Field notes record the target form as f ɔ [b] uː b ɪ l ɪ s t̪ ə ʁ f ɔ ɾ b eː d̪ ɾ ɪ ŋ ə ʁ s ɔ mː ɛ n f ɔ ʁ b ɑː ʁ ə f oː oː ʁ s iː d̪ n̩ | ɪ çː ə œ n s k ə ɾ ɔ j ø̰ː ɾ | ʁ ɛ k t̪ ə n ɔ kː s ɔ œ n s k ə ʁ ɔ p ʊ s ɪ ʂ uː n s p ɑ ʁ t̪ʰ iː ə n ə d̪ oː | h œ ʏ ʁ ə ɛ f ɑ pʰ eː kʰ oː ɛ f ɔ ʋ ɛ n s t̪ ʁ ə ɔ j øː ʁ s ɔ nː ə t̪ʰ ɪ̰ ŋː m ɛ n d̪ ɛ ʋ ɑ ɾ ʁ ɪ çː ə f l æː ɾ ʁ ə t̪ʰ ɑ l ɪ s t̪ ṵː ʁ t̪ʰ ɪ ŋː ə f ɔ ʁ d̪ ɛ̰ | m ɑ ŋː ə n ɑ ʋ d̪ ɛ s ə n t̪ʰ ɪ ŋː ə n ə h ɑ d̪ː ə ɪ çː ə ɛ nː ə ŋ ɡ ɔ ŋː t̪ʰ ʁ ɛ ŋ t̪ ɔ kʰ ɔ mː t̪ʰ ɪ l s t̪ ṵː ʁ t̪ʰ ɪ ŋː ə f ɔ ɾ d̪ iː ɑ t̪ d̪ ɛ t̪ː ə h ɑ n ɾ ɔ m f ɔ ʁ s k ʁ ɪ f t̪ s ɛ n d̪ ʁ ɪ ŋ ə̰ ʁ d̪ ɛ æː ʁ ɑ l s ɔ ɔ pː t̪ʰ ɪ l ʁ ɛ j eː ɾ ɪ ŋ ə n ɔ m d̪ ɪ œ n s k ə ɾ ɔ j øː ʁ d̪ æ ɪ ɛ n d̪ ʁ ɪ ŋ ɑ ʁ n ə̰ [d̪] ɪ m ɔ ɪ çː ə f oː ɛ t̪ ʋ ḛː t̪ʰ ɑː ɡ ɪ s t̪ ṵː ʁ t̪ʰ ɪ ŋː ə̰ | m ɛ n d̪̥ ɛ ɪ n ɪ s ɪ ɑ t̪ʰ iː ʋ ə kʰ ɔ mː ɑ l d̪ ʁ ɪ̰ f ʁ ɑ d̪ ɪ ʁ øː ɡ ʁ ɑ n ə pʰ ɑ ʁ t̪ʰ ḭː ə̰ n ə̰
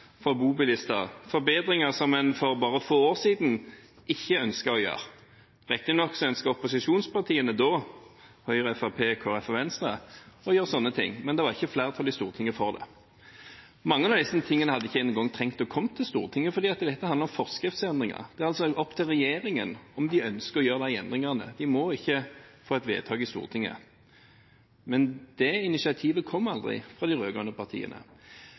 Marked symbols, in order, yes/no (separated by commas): yes, yes